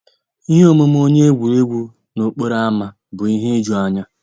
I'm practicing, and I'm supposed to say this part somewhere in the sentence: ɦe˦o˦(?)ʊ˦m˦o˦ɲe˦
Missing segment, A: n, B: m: B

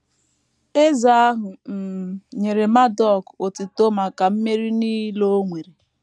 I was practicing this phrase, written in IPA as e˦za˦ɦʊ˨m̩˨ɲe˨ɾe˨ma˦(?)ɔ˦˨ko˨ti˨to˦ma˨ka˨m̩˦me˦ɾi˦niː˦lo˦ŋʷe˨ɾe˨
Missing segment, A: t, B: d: B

